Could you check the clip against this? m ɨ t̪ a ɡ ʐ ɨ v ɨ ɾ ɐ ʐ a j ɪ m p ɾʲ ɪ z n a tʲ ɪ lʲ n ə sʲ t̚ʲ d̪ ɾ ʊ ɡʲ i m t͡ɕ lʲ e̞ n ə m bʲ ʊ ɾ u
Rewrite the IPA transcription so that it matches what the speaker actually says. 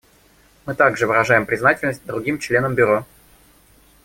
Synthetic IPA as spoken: m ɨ t̪ a ɡ ʐ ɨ v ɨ ɾ ɐ ʐ a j ɪ m p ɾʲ ɪ z n a tʲ ɪ lʲ n ə sʲ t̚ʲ d̪ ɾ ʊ ɡʲ i m t͡ɕ lʲ e̞ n ə m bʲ ʊ ɾ o